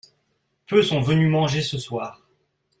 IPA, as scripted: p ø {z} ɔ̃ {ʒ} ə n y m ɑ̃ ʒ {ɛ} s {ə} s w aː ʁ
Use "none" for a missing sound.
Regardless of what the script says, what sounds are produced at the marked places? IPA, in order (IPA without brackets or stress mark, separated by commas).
s, v, e, ə